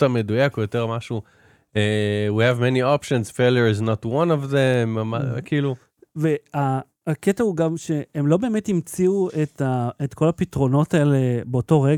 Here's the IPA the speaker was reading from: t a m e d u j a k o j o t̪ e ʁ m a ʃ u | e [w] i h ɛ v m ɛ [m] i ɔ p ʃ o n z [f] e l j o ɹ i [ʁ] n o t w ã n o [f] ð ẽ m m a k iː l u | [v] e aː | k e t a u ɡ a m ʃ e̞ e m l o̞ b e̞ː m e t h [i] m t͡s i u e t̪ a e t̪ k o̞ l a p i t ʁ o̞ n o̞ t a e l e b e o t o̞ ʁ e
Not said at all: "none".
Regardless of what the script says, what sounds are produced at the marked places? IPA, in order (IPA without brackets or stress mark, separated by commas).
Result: w, n, f, z, v, v, i